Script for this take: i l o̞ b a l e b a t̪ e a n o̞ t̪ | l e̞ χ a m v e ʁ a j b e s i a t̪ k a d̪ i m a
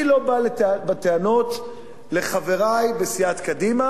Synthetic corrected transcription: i l o̞ b a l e b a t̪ e a n o̞ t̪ | l e̞ χ a v e ʁ a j b e s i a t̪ k a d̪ i m a